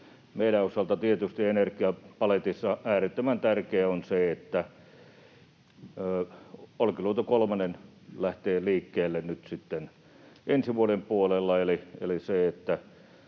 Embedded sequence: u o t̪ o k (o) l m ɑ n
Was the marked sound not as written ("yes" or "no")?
no